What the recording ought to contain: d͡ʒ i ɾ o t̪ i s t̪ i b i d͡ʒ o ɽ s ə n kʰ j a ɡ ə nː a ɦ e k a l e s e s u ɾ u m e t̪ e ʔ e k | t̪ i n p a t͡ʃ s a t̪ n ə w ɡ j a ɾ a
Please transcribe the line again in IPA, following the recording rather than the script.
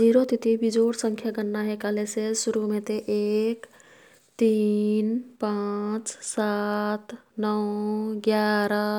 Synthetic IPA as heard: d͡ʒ i ɾ o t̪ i t̪ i b i d͡ʒ o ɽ s ə ŋ kʰ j a ɡ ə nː a ɦ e k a l e s e s u ɾ u m e t̪ e ʔ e k | t̪ i n p a t͡ʃ s a t̪ n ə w ɡ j a ɾ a